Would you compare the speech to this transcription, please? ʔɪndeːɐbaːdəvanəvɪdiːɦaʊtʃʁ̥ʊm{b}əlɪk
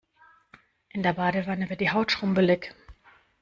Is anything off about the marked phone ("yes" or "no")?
no